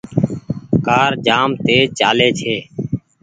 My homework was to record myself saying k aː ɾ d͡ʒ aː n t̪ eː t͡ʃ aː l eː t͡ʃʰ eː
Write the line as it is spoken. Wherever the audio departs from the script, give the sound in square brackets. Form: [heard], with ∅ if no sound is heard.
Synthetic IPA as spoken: k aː ɾ d͡ʒ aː [m] t̪ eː t͡ʃ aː l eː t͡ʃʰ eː